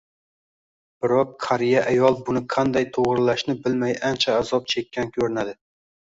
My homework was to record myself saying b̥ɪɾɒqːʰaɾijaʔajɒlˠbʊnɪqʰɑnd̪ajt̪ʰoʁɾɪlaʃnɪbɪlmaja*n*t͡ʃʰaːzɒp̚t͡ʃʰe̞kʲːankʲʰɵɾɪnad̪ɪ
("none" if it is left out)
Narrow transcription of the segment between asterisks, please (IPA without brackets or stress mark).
n